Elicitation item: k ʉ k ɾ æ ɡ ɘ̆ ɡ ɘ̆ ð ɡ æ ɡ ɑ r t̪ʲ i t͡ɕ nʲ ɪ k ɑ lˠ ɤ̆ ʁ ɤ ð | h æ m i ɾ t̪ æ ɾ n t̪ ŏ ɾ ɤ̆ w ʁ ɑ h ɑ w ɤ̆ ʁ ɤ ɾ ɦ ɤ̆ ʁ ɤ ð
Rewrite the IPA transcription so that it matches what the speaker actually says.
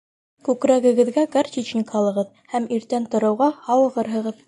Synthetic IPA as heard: k ʉ k ɾ æ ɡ ɘ̆ ɡ ɘ̆ ð ɡ æ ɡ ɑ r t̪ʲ i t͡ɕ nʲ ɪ k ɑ lˠ ɤ̆ ʁ ɤ ð | h æ m i ɾ t̪ æ n t̪ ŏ ɾ ɤ̆ w ʁ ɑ h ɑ w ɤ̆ ʁ ɤ ɾ ɦ ɤ̆ ʁ ɤ ð